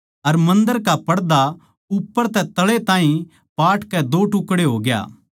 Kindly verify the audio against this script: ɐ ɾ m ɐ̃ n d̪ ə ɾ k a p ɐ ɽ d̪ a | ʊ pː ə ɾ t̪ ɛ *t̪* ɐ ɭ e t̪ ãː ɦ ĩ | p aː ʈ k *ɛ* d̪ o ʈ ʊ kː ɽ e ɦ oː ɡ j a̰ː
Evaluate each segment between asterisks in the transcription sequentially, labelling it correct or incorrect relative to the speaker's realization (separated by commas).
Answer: correct, correct